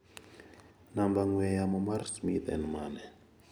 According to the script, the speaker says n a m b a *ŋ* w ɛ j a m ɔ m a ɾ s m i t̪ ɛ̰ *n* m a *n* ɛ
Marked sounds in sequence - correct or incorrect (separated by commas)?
correct, correct, correct